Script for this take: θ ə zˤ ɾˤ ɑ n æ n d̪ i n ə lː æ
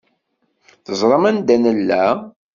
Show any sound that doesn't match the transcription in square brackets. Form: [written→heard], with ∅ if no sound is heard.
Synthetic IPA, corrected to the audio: θ ə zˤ ɾˤ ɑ [n→m] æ n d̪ [i→æ] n ə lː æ